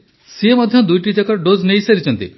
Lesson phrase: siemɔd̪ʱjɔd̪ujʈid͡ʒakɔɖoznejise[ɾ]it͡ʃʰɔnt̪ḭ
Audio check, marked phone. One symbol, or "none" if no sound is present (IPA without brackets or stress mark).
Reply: ɾ